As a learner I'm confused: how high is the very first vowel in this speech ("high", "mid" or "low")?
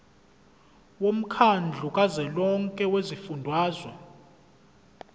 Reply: mid